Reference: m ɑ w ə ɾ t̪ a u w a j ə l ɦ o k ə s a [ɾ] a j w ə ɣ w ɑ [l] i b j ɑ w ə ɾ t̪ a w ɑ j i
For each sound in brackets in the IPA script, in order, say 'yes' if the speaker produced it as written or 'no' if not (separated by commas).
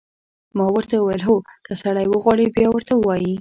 no, no